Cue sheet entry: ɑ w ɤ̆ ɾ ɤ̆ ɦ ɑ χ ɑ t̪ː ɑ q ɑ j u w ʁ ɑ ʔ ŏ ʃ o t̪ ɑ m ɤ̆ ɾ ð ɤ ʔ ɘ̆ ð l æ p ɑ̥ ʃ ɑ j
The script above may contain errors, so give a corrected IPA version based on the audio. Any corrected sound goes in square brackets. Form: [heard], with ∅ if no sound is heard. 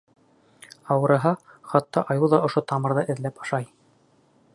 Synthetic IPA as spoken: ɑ w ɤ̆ ɾ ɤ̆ ɦ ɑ χ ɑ t̪ː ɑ [ʔ] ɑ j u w [ð] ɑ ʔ ŏ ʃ o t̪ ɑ m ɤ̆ ɾ ð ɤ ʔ ɘ̆ ð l æ p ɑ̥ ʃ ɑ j